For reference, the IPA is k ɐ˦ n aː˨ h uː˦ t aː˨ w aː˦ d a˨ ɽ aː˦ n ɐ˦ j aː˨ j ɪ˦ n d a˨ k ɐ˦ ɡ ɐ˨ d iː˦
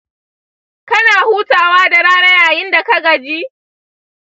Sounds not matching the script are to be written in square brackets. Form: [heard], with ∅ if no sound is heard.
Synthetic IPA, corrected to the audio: k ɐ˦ n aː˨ h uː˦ t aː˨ w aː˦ d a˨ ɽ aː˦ n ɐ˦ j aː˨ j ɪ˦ n d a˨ k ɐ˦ ɡ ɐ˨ [d͡ʒ] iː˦